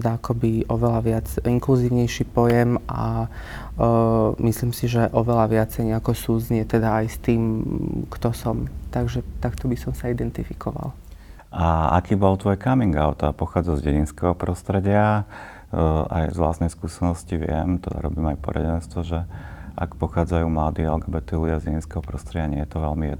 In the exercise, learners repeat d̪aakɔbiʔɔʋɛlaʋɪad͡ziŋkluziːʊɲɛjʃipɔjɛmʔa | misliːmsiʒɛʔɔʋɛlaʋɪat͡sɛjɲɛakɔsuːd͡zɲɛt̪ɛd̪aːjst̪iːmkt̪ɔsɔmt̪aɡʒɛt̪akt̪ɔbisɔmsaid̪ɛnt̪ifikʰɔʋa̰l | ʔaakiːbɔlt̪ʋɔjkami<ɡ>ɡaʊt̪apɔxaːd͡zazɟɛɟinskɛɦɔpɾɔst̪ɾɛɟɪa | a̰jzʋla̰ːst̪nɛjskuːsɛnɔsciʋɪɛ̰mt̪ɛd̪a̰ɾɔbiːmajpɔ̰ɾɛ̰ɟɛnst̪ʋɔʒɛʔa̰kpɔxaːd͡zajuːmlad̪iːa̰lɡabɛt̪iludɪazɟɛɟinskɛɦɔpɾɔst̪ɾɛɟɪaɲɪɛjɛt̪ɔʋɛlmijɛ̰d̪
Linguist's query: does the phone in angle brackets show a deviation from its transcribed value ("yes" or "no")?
yes